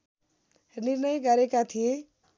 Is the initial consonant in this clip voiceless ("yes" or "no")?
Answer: no